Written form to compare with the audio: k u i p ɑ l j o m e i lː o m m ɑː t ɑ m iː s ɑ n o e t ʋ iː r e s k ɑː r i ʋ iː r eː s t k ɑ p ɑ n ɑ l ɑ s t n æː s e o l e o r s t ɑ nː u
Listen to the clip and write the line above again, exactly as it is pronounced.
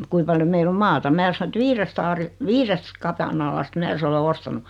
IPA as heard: k u i p ɑ l j o m e i lː o m m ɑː t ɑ m æː s ɑ n o e t ʋ iː r e s t ɑː r i ʋ iː r e s t k ɑ p ɑ n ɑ l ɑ s t m æː s e o l e o s t ɑ n u